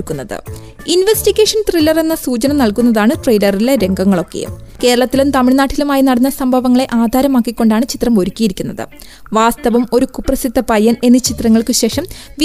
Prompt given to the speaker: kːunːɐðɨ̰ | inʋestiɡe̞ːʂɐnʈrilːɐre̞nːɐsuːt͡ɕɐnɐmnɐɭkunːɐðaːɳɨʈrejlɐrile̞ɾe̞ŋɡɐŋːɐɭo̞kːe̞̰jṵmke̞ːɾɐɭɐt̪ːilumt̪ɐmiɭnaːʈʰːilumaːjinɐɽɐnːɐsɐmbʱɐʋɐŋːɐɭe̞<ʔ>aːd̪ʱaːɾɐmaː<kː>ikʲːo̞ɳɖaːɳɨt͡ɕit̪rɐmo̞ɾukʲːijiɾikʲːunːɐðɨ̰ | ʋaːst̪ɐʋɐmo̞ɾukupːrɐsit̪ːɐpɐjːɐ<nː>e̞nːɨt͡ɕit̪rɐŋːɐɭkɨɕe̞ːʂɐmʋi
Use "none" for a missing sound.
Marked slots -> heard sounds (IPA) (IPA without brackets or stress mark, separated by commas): ʔ, kː, n